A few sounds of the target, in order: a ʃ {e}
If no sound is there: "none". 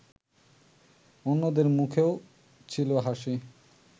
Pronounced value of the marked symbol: i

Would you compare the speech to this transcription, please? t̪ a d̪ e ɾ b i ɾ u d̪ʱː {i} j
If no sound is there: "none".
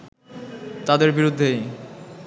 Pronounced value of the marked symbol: e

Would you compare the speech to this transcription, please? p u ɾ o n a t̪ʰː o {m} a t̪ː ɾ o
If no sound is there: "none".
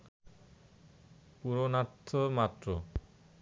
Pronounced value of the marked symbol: m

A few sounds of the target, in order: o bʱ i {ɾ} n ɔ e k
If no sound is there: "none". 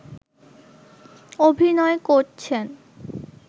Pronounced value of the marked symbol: none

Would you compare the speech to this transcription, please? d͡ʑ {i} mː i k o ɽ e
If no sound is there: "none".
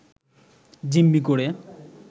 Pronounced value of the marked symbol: i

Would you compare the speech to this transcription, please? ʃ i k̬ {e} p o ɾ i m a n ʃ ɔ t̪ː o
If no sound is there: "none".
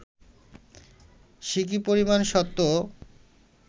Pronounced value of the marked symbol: i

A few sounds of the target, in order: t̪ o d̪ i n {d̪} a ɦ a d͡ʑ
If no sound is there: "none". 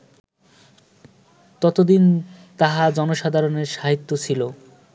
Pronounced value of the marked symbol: t̪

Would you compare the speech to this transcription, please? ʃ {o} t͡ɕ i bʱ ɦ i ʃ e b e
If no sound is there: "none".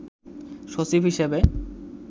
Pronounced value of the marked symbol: o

